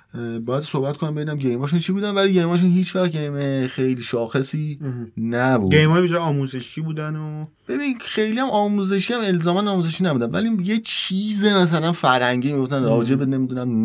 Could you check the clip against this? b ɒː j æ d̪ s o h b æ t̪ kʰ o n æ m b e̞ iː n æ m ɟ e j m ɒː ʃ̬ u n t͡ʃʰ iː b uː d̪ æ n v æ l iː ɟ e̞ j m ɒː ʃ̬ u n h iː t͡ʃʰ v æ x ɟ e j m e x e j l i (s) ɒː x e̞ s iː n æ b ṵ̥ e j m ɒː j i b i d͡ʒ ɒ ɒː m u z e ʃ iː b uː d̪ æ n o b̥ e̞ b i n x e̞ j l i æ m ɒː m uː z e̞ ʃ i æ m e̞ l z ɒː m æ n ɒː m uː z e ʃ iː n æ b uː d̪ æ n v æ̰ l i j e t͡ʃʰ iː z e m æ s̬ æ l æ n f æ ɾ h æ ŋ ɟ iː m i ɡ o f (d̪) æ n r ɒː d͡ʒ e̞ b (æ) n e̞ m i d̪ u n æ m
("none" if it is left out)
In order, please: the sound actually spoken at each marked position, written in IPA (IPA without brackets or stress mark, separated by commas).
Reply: ʃ, t̪, e